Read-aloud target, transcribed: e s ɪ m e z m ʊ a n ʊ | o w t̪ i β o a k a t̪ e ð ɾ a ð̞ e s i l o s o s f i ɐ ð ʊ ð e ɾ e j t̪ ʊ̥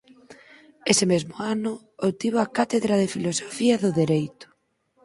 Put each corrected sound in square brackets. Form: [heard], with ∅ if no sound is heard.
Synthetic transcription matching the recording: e s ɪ m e z m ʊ a n ʊ | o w t̪ i β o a k a t̪ e ð ɾ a ð̞ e [f] i l o s o [∅] f i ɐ ð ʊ ð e ɾ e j t̪ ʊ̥